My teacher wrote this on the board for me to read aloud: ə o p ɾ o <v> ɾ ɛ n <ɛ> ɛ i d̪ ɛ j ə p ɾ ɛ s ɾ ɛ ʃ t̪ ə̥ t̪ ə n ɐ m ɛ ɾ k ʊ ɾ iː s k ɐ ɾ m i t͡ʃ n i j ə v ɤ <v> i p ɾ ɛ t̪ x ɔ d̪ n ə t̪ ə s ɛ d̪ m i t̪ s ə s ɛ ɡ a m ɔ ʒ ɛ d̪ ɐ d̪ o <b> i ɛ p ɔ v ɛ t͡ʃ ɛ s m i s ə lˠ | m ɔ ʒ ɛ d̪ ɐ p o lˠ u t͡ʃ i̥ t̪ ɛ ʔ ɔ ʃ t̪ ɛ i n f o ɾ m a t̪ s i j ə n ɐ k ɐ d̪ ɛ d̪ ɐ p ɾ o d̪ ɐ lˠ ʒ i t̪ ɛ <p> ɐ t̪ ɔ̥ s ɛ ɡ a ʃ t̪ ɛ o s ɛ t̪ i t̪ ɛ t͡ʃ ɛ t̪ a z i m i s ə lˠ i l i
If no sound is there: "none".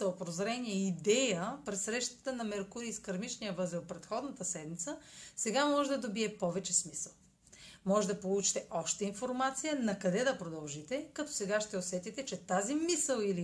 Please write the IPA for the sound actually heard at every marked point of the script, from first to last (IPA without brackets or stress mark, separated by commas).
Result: z, i, z, b, k